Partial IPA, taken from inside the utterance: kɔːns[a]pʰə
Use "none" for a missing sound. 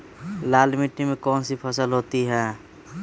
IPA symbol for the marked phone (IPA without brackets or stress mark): i